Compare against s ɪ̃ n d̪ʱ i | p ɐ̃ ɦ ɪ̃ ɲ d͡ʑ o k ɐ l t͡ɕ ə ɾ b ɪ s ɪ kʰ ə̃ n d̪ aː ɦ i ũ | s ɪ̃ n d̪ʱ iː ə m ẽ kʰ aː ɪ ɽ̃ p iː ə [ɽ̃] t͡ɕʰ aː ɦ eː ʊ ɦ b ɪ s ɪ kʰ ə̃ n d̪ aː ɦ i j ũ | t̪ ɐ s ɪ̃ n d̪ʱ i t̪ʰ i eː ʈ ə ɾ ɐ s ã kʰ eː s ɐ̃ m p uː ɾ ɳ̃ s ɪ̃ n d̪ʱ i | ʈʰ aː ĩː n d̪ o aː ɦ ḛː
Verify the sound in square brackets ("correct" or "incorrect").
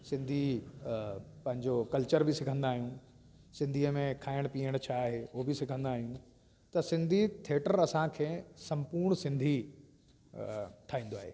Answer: correct